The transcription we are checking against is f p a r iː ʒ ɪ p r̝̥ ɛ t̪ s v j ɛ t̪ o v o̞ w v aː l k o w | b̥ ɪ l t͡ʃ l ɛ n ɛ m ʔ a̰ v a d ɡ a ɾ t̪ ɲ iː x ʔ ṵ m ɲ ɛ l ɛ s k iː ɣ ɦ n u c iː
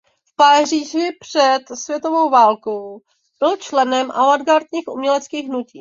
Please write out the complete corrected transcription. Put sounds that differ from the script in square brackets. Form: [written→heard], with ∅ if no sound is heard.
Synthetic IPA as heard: f p a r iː ʒ ɪ p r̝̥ ɛ t̪ s v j ɛ t̪ o v o̞ w v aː l k o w | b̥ ɪ l t͡ʃ l ɛ n ɛ m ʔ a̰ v a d ɡ a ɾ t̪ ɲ iː x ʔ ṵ m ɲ ɛ l ɛ [s→t͡s] k iː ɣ ɦ n u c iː